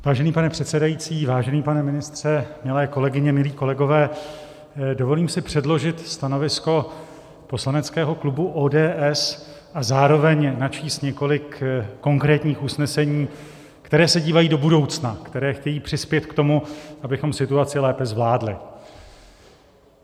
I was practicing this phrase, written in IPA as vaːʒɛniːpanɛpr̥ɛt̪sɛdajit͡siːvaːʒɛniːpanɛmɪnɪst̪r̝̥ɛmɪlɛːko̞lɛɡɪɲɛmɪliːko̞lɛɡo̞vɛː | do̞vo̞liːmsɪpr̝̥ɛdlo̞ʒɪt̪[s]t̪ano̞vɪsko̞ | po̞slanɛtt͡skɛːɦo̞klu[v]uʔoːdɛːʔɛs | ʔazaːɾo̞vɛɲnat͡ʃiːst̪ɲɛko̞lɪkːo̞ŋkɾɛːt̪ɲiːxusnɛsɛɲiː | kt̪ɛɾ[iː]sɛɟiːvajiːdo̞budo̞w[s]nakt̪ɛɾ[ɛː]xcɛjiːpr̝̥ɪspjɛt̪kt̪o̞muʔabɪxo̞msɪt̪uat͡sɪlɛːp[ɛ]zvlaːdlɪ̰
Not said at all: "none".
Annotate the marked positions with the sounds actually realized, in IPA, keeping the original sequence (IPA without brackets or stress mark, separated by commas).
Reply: s, b, ɛː, t͡s, ɛː, ɛ